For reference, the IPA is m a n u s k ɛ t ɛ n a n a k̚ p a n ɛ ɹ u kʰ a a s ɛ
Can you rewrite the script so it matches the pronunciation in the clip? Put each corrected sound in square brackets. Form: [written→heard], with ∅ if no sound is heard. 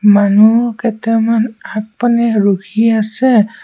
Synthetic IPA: m a n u [s→∅] k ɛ t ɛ [n→m] a n a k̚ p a n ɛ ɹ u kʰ [a→i] a s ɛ